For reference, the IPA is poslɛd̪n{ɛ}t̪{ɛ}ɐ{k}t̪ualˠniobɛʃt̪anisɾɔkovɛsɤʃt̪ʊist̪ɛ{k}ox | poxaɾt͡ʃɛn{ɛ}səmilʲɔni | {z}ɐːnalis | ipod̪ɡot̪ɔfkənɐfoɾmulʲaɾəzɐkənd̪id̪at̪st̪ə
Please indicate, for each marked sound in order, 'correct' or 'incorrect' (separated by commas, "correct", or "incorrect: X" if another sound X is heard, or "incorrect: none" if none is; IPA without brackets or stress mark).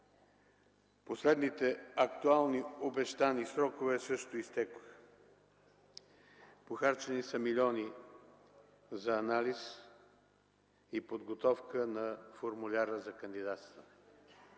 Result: incorrect: i, correct, correct, correct, incorrect: i, correct